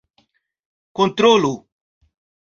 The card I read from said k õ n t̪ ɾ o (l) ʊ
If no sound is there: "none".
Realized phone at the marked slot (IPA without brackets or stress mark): l